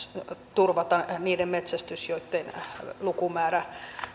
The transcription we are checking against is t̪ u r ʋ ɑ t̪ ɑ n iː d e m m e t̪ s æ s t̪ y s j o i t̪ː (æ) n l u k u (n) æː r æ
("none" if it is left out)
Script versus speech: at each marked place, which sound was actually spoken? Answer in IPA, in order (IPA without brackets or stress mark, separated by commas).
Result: e, m